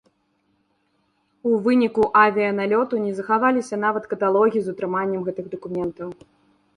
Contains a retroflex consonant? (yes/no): no